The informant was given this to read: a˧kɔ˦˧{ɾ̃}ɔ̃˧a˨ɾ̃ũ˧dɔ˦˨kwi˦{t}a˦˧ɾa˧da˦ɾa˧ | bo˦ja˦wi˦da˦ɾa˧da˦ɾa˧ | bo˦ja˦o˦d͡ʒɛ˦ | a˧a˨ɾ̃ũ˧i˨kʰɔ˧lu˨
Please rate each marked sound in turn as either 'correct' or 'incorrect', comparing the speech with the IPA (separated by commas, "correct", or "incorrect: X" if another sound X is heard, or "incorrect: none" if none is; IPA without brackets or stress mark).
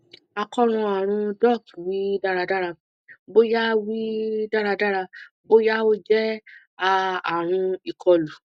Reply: correct, incorrect: d